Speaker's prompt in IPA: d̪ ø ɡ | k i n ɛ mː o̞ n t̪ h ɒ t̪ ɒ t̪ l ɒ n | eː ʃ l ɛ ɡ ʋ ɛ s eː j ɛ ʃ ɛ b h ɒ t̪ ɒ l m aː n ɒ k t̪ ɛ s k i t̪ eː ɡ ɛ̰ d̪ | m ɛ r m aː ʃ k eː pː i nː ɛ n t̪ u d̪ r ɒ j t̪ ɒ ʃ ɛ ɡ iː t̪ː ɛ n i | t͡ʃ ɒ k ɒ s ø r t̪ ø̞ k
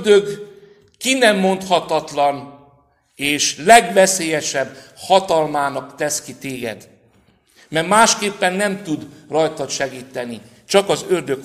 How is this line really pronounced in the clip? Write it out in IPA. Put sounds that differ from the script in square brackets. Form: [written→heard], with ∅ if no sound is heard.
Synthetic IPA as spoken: d̪ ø ɡ | k i n ɛ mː o̞ n t̪ h ɒ t̪ ɒ t̪ l ɒ n | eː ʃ l ɛ ɡ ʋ ɛ s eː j ɛ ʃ ɛ b h ɒ t̪ ɒ l m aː n ɒ k t̪ ɛ s k i t̪ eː ɡ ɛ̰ d̪ | m ɛ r m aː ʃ k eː pː [i→ɛ] nː ɛ [n→m] t̪ u d̪ r ɒ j t̪ ɒ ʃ ɛ ɡ iː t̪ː ɛ n i | t͡ʃ ɒ k ɒ [s→z] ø r [t̪→d̪] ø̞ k